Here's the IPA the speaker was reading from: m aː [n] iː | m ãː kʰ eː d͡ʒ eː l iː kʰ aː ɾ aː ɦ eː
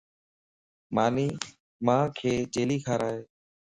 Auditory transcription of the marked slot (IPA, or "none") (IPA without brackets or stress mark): n